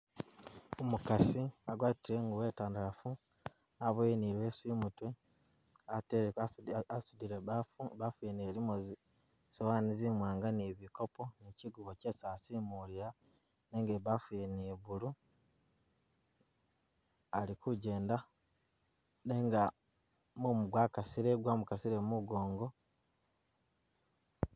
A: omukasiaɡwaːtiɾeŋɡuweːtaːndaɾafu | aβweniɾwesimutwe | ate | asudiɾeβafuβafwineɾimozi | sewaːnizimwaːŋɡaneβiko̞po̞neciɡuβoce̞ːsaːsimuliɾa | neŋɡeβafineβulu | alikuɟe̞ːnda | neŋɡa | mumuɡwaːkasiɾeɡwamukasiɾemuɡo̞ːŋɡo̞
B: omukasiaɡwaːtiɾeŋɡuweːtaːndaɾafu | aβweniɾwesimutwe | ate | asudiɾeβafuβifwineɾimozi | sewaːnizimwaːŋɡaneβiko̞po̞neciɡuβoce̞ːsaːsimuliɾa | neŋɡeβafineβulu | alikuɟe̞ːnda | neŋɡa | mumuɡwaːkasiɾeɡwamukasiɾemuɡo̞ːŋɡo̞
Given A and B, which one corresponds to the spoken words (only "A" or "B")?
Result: A